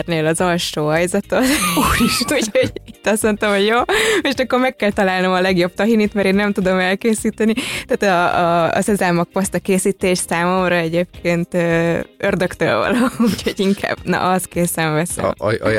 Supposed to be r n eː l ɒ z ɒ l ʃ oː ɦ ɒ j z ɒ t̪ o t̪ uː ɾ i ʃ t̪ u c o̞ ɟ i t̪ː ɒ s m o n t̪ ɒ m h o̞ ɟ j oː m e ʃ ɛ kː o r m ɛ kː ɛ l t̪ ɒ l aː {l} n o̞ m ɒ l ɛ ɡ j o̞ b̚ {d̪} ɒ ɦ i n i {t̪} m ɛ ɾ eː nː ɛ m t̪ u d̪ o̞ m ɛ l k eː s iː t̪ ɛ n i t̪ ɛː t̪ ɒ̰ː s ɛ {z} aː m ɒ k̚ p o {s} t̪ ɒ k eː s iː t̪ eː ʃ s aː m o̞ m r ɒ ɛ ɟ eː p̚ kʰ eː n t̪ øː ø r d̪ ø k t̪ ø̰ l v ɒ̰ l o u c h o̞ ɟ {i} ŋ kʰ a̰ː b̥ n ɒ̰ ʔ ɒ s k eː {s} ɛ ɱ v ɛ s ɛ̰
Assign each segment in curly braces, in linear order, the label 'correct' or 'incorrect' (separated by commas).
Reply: correct, incorrect, correct, correct, correct, correct, correct